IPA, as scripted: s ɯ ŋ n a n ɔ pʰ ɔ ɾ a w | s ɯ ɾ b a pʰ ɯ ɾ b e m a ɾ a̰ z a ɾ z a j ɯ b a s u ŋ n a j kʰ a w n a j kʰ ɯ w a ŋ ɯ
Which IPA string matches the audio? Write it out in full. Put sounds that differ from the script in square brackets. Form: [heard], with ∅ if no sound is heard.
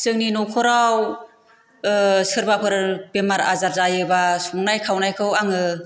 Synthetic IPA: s ɯ ŋ n [i] n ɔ [kʰ] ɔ ɾ a w | s ɯ ɾ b a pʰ ɯ ɾ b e m a ɾ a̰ z a ɾ z a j ɯ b a s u ŋ n a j kʰ a w n a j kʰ ɯ w a ŋ ɯ